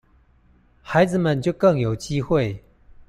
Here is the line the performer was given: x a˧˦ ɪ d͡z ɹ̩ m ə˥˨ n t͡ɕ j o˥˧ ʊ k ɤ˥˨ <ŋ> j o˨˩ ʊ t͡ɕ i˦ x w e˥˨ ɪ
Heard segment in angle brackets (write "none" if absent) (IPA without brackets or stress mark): ŋ